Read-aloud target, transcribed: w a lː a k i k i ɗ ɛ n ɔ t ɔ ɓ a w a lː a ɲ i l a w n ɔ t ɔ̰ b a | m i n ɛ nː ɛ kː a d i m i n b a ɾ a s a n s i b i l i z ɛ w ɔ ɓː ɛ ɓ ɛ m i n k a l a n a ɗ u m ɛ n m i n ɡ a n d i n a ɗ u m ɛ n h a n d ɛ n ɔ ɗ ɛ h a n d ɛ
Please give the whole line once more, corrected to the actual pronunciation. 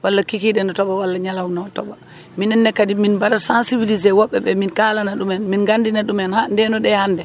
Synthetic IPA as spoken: w a lː a k i k i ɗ ɛ n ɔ t ɔ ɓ a w a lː a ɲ a l a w n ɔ t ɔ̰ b a | m i n ɛ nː ɛ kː a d i m i n b a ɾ a s a n s i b i l i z ɛ w ɔ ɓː ɛ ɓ ɛ m i n k a l a n a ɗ u m ɛ n m i n ɡ a n d i n a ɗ u m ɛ n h a n d ɛ n ɔ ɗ ɛ h a n d ɛ

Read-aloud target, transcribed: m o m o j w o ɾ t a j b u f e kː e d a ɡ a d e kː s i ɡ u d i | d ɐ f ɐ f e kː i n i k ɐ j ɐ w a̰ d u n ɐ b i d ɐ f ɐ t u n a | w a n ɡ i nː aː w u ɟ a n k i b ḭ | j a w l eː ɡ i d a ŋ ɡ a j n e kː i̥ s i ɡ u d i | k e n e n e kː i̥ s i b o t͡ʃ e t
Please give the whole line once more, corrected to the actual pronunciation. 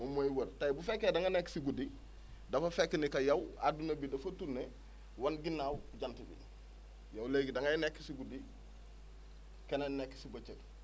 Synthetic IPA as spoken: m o m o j w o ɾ t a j b u f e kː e d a ŋ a n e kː s i ɡ u d i | d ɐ f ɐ f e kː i n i k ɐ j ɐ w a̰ d u n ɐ b i d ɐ f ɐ t u n e | w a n ɡ i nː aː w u ɟ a n t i b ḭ | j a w l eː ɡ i d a ŋ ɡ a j n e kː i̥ s i ɡ u d i | k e n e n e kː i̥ s i b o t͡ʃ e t

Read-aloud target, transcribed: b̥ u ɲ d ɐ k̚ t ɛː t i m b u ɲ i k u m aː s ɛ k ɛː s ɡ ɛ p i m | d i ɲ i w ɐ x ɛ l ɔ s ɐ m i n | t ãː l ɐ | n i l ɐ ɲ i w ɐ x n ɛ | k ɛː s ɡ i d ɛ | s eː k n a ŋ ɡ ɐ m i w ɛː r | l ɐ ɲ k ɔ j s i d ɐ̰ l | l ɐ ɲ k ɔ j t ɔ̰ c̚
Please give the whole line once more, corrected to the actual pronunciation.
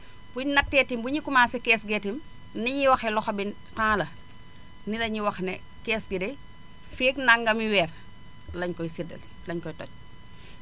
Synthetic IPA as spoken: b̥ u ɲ n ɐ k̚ t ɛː t i m b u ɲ i k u m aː s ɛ k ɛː s ɡ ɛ t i m | n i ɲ i w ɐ x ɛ l ɔ x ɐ b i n | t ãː l ɐ | n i l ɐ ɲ i w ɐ x n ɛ | k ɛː s ɡ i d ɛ | f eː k n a ŋ ɡ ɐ m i w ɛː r | l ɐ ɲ k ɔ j s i d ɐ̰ l | l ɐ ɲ k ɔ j t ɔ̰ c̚

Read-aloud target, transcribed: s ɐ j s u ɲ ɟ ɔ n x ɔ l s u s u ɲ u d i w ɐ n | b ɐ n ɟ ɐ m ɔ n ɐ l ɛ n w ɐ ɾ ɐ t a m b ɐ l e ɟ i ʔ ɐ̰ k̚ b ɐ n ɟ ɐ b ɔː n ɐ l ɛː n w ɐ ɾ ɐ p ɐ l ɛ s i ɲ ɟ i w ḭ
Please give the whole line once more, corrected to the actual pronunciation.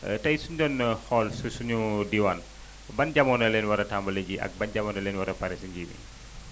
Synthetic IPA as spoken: t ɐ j s u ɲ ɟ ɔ n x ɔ l s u s u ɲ u d i w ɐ n | b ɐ n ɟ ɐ m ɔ n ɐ l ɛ n w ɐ ɾ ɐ t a m b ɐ l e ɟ i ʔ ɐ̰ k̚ b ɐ n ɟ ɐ m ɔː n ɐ l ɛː n w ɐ ɾ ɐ p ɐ ɾ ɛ s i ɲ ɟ i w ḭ

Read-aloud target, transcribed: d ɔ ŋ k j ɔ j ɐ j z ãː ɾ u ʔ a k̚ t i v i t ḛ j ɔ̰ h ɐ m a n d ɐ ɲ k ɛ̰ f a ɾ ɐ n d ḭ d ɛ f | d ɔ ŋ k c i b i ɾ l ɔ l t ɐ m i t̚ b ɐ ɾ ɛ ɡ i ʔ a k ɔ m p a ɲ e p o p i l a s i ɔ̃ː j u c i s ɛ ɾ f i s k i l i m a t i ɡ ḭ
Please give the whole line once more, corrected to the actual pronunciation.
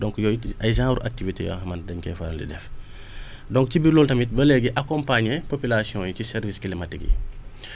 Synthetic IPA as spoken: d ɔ ŋ k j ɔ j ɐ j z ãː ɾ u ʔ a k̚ t i v i t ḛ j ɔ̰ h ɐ m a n d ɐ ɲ k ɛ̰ f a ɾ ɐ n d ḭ d ɛ f | d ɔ ŋ k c i b i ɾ l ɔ l t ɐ m i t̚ b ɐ l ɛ ɡ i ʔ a k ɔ m p a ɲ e p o p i l a s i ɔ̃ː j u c i s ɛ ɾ v i s k i l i m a t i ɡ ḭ

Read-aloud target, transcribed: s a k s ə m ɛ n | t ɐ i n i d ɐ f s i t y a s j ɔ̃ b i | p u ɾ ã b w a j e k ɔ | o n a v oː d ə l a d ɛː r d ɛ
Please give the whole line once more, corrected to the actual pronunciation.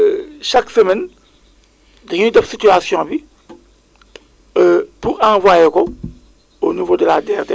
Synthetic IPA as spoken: ʃ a k s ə m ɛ n | d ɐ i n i d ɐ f s i t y a s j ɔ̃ b i | p u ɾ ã v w a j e k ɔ | o n i v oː d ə l a d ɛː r d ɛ

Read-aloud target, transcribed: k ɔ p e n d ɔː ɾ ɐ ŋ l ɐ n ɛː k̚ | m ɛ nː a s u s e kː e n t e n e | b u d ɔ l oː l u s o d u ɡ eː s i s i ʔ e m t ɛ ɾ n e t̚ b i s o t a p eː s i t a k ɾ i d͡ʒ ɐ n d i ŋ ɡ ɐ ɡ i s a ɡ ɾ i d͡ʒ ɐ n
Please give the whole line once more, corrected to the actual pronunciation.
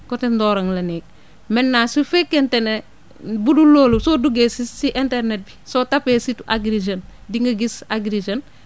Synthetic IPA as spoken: k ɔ t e n d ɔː ɾ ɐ ŋ l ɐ n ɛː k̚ | m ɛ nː a s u f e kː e n t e n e | b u d u l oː l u s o d u ɡ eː s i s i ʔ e n t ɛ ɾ n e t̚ b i s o t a p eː s i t a ɡ ɾ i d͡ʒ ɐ n d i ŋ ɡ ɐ ɡ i s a ɡ ɾ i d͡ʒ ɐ n

